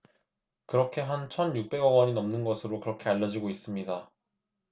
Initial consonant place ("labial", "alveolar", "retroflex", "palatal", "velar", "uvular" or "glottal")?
velar